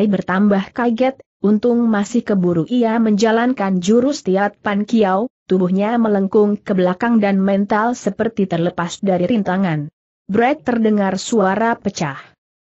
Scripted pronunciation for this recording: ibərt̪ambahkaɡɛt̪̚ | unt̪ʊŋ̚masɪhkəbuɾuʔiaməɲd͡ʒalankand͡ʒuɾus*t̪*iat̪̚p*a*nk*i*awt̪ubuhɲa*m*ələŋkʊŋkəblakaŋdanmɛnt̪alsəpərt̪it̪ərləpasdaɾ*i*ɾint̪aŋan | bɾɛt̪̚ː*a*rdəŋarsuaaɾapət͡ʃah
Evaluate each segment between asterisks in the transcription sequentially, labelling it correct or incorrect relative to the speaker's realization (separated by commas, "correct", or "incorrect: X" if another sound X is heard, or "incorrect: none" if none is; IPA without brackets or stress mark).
correct, correct, correct, correct, correct, incorrect: ə